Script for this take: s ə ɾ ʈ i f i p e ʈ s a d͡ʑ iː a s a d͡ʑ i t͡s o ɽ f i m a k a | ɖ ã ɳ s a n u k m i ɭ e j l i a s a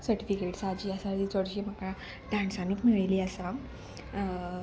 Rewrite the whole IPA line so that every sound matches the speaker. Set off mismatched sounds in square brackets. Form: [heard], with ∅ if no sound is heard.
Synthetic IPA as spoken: s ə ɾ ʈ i f i [k] e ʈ s a d͡ʑ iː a s a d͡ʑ i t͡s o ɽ [ɕ] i m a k a | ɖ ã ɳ s a n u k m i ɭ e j l i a s a